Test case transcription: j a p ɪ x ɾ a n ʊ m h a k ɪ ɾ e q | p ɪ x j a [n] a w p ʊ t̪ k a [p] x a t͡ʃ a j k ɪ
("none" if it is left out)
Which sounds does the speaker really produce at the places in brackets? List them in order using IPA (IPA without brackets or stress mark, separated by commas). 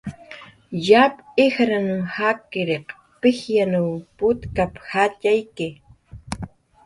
n, p